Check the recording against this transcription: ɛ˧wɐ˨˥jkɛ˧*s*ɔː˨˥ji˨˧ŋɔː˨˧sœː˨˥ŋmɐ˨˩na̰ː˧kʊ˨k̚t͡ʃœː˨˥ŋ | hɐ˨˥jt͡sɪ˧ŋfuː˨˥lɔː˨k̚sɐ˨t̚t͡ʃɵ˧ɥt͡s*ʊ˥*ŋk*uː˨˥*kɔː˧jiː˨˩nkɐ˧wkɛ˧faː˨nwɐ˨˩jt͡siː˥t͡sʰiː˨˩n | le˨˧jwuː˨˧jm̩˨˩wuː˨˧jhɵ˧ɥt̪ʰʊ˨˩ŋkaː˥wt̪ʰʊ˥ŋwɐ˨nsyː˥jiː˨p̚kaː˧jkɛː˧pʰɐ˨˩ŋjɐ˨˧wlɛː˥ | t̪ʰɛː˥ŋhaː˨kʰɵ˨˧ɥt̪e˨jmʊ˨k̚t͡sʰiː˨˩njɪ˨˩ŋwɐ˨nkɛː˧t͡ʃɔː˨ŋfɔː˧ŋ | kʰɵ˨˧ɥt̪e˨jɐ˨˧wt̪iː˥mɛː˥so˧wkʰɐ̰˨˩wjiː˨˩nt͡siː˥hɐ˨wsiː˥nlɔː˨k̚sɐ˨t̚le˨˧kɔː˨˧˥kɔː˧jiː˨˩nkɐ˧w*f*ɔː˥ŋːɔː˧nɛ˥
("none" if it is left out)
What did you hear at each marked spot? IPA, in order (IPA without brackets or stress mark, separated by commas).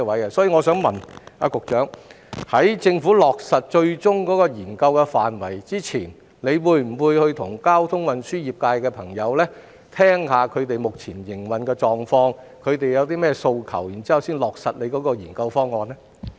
s, ʊ˥, ɔː˨˥, f